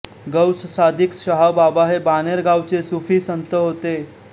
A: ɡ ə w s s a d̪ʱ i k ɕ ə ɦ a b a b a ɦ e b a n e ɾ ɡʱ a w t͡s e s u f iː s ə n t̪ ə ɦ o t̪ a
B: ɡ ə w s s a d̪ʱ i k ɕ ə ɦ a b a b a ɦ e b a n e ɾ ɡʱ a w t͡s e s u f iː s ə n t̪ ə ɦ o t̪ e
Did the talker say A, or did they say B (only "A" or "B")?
B